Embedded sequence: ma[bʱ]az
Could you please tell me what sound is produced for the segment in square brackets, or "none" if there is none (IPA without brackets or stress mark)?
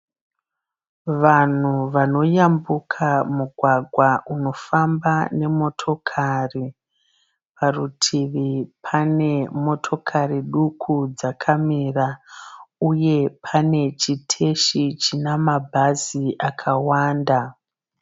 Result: bʱ